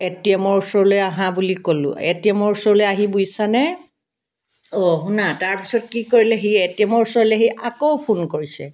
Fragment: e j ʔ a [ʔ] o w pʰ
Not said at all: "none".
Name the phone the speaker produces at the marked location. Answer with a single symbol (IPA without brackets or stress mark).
k